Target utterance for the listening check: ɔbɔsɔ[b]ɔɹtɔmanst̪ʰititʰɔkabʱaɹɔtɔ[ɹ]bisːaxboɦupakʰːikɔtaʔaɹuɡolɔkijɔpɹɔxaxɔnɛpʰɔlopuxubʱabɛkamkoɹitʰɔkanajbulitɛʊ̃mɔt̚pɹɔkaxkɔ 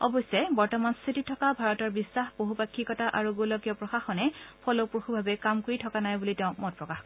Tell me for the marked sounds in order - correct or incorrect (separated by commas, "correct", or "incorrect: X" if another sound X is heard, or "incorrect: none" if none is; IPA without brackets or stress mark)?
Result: correct, correct